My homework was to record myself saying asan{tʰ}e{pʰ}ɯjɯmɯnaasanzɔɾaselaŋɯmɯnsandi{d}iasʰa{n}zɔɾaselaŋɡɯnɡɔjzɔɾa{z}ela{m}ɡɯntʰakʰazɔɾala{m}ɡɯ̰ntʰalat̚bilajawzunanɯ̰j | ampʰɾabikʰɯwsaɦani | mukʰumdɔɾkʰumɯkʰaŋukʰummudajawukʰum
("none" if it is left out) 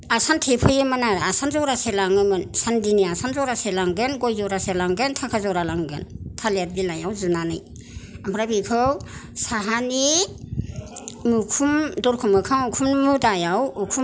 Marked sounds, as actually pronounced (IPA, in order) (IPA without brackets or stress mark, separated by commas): tʰ, pʰ, n, n, s, ŋ, ŋ